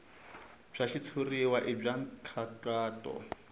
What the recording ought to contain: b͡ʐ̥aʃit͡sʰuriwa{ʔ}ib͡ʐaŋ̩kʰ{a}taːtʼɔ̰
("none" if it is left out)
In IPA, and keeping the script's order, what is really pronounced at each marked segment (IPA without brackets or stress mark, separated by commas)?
ʔ, a